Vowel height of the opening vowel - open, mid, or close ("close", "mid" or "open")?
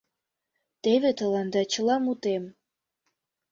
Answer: mid